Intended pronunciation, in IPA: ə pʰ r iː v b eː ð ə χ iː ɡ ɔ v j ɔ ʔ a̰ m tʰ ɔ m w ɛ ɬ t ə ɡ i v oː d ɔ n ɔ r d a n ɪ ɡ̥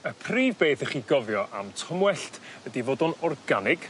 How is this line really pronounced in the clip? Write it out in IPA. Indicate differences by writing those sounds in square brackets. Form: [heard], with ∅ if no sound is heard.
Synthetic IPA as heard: ə pʰ r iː v b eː [θ] ə χ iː ɡ ɔ v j ɔ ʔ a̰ m tʰ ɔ m w ɛ ɬ t ə [d] i v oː d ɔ n ɔ r [ɡ] a n ɪ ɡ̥